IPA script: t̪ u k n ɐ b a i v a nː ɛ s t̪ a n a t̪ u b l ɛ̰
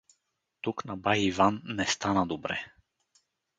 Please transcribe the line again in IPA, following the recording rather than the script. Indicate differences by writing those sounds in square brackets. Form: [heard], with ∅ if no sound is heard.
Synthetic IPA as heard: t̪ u k n [a] b a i v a nː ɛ s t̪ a n a [d̪] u b [ɾ] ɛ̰